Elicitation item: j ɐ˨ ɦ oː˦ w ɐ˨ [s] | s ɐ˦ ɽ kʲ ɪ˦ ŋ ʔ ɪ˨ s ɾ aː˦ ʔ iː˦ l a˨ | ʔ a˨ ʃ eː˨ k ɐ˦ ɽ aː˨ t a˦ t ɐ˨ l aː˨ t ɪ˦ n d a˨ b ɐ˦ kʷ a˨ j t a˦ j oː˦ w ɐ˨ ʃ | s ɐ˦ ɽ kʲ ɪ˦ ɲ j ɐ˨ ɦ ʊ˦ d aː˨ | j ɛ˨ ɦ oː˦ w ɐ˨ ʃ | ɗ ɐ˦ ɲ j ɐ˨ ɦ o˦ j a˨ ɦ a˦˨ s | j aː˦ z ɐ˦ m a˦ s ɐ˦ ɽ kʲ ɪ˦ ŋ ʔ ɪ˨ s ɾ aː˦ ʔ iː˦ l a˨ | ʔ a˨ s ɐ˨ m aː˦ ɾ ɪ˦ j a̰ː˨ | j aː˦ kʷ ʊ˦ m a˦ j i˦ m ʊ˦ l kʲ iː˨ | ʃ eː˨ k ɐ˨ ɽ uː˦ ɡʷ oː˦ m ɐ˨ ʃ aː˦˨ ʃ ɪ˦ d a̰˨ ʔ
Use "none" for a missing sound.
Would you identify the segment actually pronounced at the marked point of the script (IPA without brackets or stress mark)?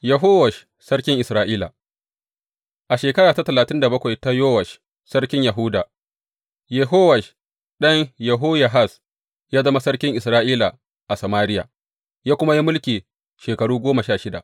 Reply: ʃ